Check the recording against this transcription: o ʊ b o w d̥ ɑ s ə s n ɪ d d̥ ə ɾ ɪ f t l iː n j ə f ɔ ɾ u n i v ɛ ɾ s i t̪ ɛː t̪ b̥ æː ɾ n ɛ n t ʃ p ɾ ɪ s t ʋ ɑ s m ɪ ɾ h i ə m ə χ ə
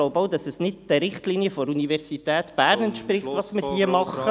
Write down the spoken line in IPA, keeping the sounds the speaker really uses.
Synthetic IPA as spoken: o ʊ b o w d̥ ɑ s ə s n ɪ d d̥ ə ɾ ɪ χ t l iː n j ə f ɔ ɾ u n i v ɛ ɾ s i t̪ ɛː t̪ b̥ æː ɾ n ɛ n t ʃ p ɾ ɪ χ t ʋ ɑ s m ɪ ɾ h i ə m ɑ χ ə